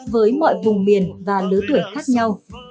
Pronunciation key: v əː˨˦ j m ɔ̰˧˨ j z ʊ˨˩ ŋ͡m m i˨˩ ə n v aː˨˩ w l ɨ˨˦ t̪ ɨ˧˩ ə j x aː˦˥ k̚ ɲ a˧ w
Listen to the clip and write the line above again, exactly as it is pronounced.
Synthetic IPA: v əː˨˦ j m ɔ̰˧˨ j v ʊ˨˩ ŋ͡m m i˨˩ ə n v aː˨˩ l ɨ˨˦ t̪ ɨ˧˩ ə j x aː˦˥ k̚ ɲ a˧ w